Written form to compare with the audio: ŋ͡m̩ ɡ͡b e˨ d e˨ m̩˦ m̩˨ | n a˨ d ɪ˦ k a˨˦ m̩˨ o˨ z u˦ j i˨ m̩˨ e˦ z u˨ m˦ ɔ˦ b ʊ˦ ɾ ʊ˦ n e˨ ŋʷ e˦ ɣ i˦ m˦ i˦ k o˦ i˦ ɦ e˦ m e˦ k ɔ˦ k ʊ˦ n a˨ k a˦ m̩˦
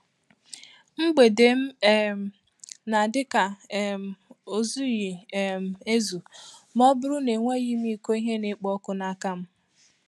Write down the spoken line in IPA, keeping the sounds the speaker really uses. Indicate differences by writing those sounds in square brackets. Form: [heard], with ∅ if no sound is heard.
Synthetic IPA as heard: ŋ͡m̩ ɡ͡b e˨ d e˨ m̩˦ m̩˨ | n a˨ d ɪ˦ k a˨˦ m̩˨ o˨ z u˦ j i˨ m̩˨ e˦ z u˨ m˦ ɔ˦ b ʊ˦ ɾ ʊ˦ n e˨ ŋʷ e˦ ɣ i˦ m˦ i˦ k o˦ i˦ ɦ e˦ [n] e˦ [k͡p] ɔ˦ k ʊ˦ n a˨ k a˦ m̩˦